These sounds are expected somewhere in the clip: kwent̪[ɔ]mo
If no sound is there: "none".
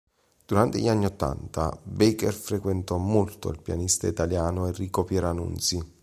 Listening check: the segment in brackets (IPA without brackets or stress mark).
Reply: ɔ